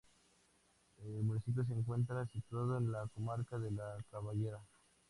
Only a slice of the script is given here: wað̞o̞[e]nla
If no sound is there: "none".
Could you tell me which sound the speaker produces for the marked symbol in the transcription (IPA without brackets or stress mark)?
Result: e